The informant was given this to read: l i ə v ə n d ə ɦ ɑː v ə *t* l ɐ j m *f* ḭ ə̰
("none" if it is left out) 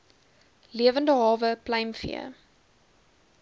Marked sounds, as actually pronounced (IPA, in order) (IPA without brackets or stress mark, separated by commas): p, f